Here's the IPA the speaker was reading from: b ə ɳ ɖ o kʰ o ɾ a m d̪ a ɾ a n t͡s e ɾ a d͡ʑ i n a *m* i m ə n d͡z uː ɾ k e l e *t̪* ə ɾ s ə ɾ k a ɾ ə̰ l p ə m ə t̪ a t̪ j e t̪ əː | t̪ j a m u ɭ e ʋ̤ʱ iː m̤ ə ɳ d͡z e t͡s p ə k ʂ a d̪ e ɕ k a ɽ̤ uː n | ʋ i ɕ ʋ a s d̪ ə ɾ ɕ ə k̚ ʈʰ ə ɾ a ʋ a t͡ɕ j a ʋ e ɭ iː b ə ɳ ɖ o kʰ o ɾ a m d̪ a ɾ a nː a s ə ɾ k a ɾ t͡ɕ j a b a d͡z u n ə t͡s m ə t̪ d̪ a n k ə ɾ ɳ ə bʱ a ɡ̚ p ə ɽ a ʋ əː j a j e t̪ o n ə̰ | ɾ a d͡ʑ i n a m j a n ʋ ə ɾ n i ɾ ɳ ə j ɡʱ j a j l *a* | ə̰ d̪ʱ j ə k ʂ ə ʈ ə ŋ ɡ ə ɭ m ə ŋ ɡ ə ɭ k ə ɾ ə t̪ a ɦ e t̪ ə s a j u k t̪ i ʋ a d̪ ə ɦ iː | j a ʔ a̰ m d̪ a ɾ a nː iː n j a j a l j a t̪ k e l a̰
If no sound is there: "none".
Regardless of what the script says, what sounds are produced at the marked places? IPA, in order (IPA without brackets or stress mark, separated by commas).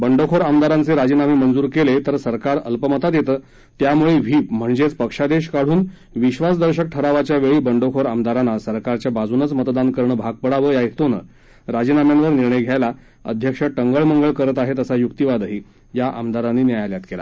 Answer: m, t̪, a